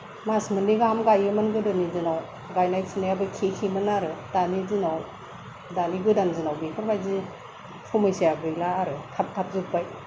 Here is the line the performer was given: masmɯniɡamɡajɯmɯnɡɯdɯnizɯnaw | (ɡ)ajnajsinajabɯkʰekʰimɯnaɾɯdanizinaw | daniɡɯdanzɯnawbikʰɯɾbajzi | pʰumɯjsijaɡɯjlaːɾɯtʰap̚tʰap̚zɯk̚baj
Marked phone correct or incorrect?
correct